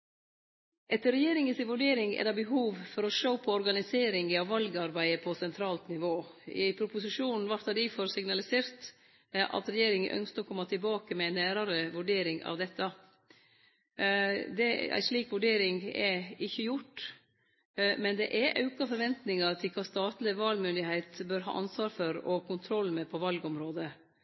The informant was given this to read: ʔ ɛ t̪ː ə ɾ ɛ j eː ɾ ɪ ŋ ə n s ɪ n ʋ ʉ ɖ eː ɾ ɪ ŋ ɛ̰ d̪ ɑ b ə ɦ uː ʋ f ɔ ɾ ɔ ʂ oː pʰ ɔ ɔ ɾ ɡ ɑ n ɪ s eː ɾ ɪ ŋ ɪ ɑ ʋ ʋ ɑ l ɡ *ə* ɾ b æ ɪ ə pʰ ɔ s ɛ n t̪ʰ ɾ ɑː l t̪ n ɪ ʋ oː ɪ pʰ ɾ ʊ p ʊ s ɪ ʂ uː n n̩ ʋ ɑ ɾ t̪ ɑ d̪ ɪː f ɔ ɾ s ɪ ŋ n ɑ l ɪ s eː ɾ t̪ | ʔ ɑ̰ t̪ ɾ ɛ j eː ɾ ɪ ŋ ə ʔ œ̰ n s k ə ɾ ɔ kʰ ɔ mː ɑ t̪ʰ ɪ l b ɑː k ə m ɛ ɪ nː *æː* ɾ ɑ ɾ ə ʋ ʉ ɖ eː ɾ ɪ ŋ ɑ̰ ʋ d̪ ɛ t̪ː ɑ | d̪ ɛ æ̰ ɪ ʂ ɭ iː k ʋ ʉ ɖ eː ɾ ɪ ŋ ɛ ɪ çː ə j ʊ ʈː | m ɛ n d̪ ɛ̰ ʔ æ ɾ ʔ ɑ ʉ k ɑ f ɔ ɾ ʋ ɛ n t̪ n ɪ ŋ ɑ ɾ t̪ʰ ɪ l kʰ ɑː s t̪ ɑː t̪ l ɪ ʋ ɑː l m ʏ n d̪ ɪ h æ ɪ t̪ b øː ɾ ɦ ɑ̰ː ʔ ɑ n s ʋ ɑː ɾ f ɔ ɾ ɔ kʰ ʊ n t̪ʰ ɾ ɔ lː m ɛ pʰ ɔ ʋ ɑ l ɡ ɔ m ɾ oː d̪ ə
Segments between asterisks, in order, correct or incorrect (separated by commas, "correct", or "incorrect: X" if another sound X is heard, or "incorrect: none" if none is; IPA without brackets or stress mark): incorrect: ɑ, correct